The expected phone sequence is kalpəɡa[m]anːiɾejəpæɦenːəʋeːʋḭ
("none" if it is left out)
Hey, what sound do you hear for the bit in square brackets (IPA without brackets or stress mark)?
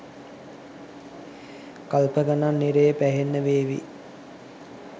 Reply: n